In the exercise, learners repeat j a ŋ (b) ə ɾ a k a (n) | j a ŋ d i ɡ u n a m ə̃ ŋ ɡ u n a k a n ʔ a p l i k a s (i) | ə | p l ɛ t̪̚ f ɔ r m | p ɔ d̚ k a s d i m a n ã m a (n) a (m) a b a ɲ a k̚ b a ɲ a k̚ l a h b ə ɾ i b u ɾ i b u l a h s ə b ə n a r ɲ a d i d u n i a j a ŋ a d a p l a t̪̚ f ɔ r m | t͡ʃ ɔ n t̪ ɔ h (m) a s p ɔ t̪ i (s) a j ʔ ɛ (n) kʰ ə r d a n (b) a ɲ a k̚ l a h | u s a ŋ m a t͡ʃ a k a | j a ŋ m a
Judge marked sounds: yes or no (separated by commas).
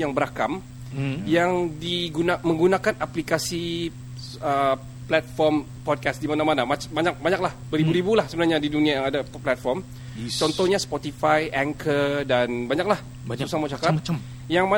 yes, no, yes, yes, yes, no, no, no, yes